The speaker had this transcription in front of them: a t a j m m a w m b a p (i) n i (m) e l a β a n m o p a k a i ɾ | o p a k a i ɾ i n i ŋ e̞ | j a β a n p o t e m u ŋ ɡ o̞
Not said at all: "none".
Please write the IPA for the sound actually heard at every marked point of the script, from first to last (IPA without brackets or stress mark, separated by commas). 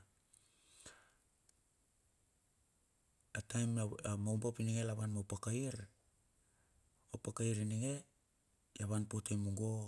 i, ŋ